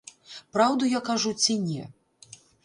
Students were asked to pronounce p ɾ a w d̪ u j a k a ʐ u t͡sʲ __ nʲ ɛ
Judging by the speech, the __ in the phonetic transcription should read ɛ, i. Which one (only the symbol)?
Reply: i